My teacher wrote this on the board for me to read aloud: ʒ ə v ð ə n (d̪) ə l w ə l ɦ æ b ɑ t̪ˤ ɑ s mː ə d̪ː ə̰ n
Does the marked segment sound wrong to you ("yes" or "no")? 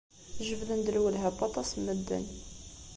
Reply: no